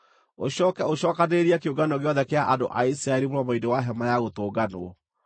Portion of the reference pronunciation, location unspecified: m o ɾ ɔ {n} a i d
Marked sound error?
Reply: yes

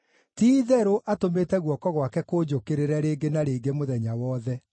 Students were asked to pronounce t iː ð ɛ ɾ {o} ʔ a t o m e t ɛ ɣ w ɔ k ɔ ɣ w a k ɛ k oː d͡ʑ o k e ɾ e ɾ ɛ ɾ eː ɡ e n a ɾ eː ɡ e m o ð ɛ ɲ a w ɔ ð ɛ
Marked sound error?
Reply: no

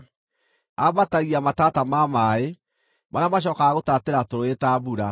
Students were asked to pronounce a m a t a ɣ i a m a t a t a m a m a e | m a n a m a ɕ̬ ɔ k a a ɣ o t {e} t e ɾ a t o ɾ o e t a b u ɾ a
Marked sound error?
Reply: yes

